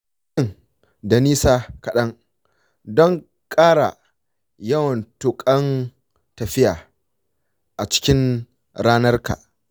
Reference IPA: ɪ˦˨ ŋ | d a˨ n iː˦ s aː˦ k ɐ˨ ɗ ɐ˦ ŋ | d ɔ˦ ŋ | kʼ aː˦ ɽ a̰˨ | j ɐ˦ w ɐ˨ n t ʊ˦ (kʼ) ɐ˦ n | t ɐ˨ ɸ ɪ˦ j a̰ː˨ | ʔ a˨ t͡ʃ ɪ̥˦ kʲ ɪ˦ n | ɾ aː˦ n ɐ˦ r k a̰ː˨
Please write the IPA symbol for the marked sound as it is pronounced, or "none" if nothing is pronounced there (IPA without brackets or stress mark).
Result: kʼ